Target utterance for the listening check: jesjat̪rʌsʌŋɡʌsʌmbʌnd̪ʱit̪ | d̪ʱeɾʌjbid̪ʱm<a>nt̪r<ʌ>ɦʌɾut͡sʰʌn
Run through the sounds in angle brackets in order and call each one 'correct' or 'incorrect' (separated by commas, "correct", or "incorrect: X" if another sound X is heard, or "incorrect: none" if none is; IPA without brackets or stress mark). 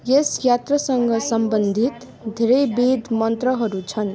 incorrect: ʌ, correct